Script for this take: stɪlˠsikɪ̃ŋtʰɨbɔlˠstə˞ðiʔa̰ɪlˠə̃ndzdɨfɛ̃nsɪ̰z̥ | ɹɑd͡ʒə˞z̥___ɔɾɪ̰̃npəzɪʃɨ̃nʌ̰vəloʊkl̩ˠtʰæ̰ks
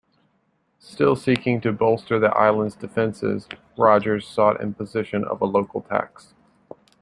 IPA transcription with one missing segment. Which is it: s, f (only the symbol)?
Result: s